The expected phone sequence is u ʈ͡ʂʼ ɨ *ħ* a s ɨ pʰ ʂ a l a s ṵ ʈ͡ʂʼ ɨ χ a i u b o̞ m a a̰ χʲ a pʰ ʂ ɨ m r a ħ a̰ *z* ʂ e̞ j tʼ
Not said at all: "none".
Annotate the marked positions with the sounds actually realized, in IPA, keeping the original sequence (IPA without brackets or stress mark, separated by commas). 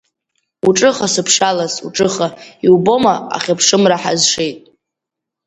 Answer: χ, z